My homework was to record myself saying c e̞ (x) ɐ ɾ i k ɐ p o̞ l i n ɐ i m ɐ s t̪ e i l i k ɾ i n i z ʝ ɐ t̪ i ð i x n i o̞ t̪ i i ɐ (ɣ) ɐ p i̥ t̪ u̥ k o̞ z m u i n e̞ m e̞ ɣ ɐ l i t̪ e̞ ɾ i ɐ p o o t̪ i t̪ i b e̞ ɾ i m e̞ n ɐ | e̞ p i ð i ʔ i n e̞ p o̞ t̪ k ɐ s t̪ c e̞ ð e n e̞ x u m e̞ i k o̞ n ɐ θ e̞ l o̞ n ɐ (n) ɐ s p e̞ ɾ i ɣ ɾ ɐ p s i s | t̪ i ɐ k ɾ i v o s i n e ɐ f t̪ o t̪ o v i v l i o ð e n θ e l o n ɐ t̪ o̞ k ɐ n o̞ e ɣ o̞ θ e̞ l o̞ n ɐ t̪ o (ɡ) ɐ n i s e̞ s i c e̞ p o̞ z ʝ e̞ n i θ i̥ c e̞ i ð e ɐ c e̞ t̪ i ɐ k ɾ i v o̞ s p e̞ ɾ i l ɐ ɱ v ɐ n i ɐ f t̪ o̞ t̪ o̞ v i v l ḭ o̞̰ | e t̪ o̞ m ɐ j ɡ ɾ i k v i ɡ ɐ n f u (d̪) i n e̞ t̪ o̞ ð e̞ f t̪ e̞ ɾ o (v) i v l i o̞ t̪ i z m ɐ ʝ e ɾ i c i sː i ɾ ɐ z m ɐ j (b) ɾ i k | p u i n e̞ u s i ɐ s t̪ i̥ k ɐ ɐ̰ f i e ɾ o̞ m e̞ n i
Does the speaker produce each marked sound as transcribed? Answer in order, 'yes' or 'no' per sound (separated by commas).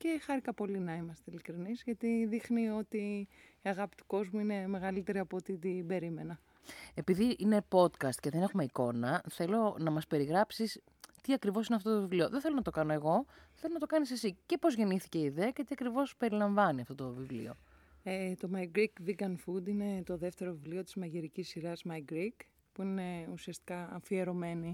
yes, yes, no, no, yes, yes, no